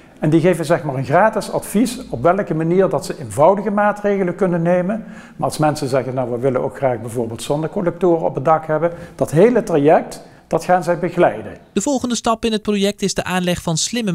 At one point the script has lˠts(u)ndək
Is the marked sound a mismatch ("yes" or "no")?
yes